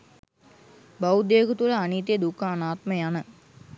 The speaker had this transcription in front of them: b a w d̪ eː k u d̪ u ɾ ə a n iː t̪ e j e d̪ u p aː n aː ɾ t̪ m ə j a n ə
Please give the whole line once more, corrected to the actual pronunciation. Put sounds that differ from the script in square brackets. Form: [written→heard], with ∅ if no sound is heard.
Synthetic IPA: b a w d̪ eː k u [d̪→t̪] u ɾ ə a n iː t̪ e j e d̪ u [p→k] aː n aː [ɾ→∅] t̪ m ə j a n ə